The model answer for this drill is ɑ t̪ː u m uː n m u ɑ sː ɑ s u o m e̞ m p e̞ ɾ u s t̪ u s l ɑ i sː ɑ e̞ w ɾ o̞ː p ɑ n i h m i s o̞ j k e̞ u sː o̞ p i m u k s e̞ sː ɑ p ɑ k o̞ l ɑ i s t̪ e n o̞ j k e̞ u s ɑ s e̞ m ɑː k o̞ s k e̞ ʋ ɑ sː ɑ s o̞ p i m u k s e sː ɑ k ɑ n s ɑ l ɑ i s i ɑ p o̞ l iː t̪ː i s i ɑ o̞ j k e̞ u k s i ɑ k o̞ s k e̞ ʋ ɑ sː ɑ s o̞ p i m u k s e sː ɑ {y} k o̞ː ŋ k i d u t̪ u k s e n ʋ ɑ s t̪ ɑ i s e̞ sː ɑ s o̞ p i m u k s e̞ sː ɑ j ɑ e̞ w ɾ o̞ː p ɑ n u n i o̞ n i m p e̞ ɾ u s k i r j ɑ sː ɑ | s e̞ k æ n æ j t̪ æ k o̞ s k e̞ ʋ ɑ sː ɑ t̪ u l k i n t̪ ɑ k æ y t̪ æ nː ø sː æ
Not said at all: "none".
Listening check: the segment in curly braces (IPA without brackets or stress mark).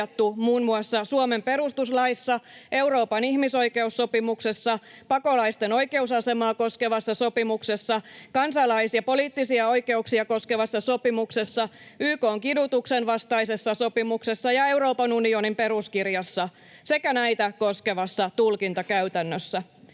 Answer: yː